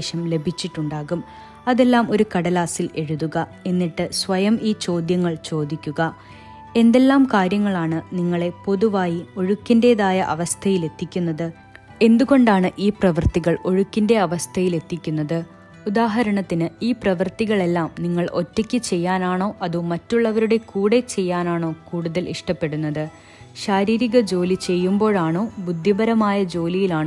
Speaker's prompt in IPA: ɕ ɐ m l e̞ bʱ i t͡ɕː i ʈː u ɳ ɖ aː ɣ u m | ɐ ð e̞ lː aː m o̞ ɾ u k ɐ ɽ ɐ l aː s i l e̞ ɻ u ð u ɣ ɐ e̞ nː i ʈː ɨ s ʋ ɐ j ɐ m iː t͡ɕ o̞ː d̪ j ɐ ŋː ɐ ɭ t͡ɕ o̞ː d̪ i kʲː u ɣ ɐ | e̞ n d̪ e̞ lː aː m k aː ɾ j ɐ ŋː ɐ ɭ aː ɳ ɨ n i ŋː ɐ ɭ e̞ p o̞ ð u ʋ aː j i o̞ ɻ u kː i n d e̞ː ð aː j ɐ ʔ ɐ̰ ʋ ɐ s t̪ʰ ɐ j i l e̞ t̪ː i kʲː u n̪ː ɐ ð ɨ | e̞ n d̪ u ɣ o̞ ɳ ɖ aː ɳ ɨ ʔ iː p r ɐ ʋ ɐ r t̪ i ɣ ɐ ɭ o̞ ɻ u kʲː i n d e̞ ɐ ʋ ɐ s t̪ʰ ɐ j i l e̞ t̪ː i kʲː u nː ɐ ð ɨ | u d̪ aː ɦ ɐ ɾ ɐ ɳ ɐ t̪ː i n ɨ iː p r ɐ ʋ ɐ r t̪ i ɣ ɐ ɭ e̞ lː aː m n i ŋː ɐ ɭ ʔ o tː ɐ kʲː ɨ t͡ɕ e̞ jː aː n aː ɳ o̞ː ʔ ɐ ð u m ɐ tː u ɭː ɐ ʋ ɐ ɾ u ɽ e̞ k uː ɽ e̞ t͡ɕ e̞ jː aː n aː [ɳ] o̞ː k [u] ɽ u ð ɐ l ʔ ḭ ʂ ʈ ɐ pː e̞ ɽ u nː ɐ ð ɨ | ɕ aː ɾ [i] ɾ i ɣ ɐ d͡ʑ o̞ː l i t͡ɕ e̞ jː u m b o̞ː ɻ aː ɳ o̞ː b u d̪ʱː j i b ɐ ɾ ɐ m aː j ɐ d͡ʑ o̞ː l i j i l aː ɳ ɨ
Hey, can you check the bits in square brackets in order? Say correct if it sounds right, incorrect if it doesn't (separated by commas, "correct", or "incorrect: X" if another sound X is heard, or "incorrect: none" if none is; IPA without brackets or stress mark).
correct, incorrect: uː, incorrect: iː